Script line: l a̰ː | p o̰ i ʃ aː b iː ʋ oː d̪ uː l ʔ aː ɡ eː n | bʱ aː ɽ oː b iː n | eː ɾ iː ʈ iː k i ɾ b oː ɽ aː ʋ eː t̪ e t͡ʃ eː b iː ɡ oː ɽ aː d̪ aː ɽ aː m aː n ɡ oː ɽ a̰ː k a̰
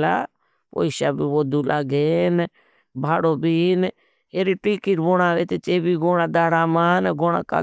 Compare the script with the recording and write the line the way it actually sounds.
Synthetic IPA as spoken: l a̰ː | p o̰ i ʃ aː b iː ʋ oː d̪ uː l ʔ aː ɡ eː n | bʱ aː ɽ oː b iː n | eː ɾ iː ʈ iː k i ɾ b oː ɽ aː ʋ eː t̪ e t͡ʃ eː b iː ɡ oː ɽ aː d̪ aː ɽ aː m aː n ɡ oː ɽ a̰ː k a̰

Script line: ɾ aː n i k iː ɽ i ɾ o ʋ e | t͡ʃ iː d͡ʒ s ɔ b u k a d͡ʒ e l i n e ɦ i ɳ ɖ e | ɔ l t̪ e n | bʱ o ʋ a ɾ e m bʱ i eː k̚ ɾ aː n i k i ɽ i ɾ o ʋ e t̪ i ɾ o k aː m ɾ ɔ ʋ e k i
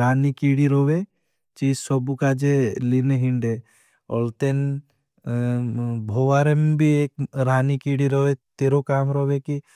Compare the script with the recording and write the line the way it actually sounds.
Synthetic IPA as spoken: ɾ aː n i k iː ɽ i ɾ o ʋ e | t͡ʃ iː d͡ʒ s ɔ b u k a d͡ʒ e l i n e ɦ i ɳ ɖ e | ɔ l t̪ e n | bʱ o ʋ a ɾ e m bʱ i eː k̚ ɾ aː n i k i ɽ i ɾ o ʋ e t̪ e ɾ o k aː m ɾ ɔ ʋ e k i

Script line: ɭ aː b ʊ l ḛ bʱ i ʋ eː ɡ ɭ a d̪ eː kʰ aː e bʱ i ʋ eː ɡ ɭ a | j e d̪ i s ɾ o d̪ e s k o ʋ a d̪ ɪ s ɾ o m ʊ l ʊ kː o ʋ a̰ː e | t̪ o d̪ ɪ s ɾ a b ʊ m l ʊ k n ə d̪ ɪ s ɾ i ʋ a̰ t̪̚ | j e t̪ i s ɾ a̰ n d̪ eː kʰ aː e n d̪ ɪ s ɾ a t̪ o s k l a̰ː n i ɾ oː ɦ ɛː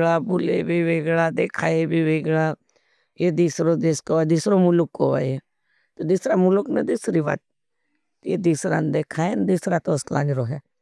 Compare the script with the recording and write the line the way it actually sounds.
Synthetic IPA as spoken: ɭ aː b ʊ l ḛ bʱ i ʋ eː ɡ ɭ a d̪ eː kʰ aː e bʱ i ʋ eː ɡ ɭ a | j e d̪ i s ɾ o d̪ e s k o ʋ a d̪ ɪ s ɾ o m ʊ l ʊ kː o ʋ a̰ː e | t̪ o d̪ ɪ s ɾ a m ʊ l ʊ k n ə d̪ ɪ s ɾ i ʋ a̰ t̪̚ | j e d̪ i s ɾ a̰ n d̪ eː kʰ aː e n d̪ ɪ s ɾ a t̪ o s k l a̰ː n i ɾ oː ɦ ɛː

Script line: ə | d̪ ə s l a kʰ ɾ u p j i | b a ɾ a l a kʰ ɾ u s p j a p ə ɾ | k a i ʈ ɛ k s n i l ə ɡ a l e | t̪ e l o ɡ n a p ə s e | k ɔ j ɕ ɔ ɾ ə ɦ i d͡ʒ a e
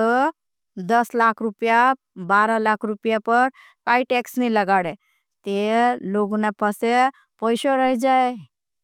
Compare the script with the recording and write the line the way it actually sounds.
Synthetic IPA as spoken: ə | d̪ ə s l a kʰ ɾ u p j a | b a ɾ a l a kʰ ɾ u p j a p ə ɾ | k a i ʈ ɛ k s n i l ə ɡ a ɽ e | t̪ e l o ɡ n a p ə s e | p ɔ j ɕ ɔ ɾ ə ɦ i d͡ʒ a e

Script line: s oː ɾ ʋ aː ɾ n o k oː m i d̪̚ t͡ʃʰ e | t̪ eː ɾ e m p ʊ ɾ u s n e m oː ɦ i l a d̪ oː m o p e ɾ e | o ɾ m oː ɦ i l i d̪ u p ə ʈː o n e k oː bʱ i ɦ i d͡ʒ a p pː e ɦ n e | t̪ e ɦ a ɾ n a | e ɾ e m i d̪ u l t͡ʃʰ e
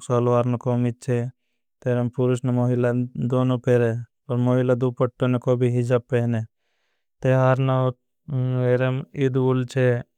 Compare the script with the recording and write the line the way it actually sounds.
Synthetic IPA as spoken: s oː l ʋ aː ɾ n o k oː m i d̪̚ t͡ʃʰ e | t̪ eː ɾ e m p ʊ ɾ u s n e m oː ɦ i l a d̪ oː n o p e ɾ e | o ɾ m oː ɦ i l a d̪ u p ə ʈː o n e k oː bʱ i ɦ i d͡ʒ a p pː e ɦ n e | t̪ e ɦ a ɾ n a | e ɾ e m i d̪ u l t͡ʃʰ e

